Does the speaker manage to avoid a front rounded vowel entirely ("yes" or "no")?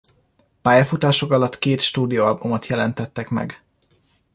yes